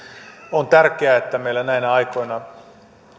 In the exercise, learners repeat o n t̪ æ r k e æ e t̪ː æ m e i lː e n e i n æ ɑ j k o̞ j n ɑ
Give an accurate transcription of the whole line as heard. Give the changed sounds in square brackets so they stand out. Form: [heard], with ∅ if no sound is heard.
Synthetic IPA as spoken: o n t̪ æ r k e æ e t̪ː æ m e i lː [æ] n [æ] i n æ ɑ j k o̞ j n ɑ